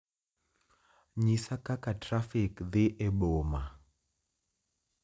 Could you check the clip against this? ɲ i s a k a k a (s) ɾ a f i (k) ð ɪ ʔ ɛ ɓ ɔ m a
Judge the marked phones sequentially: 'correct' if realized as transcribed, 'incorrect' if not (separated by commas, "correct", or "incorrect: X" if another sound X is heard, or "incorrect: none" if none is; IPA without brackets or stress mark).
incorrect: t, correct